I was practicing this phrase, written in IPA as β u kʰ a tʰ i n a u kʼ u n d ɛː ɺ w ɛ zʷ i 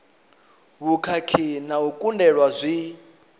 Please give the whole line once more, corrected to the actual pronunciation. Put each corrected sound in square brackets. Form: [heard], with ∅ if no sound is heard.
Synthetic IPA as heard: β u kʰ a [kʰ] i n a u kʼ u n d [ɛ] ɺ w [a] zʷ i